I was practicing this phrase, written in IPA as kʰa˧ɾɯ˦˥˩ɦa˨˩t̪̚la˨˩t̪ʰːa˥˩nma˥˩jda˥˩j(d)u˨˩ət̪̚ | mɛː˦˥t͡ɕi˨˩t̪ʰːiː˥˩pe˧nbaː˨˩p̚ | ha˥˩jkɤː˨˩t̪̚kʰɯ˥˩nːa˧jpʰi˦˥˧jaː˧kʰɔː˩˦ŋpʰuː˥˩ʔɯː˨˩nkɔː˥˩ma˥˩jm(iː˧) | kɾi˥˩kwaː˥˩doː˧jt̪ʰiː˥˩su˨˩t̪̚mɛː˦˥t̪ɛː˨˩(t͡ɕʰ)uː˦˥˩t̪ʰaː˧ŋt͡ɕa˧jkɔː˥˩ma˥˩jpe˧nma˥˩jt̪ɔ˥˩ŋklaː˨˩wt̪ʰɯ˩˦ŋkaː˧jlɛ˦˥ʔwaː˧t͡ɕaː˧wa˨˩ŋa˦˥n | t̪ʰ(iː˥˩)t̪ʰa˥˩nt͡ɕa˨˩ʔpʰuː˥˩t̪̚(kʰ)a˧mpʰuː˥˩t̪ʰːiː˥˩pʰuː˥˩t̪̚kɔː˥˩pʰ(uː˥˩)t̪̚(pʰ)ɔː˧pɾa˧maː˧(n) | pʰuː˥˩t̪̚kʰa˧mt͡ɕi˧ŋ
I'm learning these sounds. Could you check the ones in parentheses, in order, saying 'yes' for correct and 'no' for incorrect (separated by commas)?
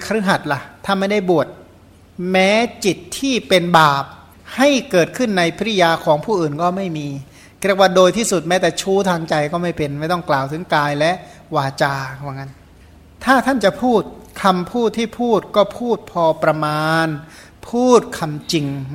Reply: no, yes, yes, no, yes, yes, yes, yes